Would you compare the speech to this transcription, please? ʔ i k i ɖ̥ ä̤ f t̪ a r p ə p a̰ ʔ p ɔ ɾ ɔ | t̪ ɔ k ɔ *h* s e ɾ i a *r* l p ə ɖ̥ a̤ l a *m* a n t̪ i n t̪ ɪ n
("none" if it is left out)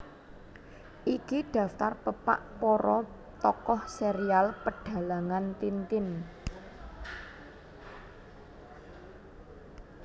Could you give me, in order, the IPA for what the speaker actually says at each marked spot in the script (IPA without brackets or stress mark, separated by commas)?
h, none, ŋ